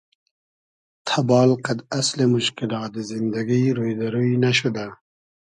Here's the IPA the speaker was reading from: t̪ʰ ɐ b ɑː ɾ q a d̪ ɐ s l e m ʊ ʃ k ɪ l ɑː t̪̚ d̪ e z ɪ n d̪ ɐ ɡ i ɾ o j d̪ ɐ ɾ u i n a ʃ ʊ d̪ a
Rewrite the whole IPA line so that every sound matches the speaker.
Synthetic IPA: t̪ʰ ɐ b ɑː l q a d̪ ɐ s l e m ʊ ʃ k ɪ l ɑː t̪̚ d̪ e z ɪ n d̪ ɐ ɡ i ɾ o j d̪ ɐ ɾ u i n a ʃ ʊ d̪ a